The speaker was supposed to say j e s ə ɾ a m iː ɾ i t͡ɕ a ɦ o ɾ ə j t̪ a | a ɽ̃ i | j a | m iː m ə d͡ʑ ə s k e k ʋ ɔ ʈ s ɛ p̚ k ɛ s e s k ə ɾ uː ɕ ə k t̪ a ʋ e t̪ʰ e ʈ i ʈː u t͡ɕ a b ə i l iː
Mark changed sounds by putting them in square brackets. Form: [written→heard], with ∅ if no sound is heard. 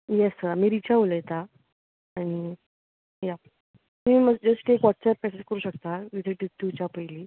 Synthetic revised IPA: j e s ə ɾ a m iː ɾ i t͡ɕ a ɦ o [ɾ→l] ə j t̪ a | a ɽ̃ i | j a | m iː m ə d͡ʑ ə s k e k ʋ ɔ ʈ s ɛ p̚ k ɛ s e s k ə ɾ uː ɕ ə k t̪ a ʋ [e→i] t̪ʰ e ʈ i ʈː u t͡ɕ a [b→p] ə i l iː